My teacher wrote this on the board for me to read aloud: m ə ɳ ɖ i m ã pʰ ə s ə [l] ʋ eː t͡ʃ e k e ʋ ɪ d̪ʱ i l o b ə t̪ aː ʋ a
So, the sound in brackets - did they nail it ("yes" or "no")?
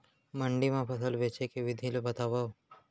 yes